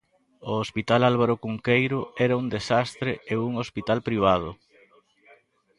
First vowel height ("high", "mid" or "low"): mid